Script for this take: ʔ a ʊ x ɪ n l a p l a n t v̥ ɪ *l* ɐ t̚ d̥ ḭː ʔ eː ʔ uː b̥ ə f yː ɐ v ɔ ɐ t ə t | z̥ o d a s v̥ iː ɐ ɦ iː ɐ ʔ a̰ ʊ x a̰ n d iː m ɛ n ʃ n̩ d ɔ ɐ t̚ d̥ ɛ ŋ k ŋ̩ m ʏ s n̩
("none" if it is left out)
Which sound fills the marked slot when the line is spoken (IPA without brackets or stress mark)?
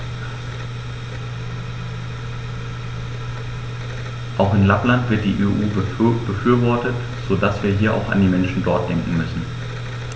none